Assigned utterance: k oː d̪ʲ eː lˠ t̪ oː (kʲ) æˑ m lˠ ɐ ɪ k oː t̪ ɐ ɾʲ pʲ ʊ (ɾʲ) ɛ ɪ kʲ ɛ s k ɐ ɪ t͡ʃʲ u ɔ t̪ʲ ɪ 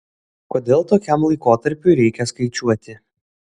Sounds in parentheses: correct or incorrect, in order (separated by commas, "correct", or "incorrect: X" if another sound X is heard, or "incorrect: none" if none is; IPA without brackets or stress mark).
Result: correct, correct